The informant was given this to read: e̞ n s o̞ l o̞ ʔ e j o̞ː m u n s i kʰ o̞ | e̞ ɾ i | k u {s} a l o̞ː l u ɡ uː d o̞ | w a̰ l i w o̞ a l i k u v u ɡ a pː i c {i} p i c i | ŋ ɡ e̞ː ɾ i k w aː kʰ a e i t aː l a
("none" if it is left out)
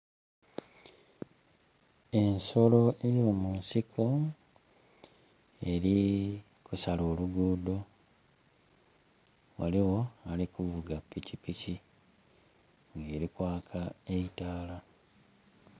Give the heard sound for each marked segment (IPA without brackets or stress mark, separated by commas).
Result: s, i